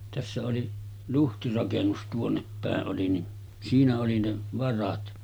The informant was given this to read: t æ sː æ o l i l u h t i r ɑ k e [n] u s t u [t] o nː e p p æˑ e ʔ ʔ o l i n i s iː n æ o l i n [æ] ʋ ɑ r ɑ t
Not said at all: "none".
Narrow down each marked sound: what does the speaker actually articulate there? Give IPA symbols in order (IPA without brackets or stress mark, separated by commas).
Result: nː, none, e